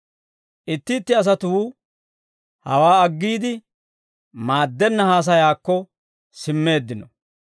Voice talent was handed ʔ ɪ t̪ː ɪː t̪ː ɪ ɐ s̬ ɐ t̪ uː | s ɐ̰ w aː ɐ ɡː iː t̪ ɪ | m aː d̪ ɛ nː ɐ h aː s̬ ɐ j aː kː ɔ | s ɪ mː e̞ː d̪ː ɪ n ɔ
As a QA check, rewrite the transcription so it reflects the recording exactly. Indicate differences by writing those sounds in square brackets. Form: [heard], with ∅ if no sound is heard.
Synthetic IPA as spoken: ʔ ɪ t̪ː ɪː t̪ː ɪ ɐ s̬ ɐ t̪ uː | [h] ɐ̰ w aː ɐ ɡː iː [d̪] ɪ | m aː [d̪ː] ɛ nː ɐ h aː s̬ ɐ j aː kː ɔ | s ɪ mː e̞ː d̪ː ɪ n ɔ